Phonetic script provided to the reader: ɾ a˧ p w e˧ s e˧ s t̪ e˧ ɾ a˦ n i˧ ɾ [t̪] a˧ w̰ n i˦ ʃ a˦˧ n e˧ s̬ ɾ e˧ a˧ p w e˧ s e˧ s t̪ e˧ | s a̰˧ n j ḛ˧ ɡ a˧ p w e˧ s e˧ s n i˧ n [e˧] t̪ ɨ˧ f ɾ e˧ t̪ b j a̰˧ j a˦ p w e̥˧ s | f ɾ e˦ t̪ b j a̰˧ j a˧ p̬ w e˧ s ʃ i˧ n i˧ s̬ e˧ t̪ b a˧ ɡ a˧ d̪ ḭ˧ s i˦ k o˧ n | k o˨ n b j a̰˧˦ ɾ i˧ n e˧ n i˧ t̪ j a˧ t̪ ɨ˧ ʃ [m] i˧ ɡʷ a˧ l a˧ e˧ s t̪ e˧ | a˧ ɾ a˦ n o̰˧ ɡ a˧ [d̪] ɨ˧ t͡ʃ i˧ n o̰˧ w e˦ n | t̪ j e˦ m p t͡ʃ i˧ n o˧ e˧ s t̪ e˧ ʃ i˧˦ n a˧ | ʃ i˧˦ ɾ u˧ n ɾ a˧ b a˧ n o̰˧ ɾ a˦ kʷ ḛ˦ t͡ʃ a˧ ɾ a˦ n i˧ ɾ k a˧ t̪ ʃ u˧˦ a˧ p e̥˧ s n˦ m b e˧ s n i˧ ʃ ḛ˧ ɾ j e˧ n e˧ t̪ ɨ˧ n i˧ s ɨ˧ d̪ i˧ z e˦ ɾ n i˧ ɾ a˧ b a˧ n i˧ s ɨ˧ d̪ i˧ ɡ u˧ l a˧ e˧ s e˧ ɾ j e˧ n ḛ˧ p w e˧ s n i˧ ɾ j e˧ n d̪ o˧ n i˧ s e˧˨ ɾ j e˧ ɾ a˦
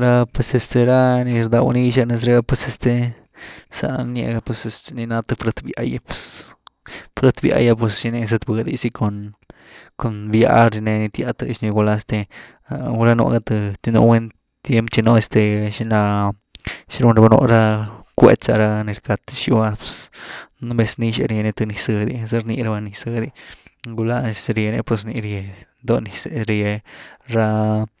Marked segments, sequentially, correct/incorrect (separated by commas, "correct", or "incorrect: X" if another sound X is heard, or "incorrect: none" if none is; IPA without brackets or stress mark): incorrect: d̪, incorrect: a˧, incorrect: n, incorrect: t̪